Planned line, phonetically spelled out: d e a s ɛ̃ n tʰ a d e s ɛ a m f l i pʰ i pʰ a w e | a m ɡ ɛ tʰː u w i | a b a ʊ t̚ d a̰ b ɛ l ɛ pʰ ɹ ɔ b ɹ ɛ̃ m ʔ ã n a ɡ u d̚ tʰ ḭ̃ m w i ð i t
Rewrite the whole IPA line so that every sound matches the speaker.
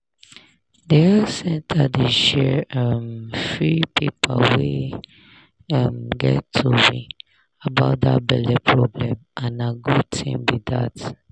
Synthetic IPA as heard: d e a s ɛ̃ n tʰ a d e ʃ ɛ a m f ɹ i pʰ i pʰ a w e | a m ɡ ɛ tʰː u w i | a b a ʊ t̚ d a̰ b ɛ l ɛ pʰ ɹ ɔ b l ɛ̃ m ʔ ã n a ɡ u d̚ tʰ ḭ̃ m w i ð a t